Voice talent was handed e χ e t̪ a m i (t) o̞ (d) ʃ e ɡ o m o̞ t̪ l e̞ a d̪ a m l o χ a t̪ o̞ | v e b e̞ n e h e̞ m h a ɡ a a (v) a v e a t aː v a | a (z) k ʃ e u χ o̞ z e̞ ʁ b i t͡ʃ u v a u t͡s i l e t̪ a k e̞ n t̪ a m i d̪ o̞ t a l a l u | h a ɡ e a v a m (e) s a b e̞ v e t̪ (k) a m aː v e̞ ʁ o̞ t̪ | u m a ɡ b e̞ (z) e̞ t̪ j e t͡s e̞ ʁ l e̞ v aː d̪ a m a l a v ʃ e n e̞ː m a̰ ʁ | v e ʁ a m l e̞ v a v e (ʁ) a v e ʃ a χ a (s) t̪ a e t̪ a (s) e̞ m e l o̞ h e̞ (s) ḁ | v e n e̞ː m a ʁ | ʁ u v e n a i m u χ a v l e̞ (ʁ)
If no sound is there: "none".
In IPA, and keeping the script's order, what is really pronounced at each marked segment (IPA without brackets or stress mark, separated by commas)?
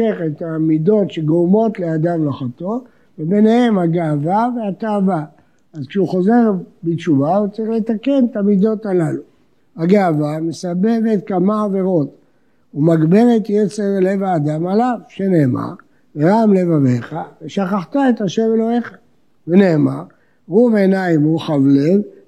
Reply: d, t, v, z, e, k, ʁ, χ, χ, ʃ, χ, v